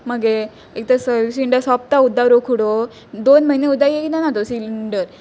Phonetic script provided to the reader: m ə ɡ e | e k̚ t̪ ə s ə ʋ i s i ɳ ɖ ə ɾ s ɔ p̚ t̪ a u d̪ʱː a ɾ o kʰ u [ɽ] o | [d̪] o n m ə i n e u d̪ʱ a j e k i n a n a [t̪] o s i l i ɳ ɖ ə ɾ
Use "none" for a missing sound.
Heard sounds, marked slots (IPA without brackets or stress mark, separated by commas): ɽ, d̪, t̪